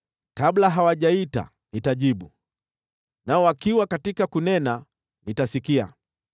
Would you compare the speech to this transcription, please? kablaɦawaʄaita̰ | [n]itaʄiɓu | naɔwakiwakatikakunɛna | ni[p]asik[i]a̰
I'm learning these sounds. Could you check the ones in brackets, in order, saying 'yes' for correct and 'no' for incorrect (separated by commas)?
yes, no, yes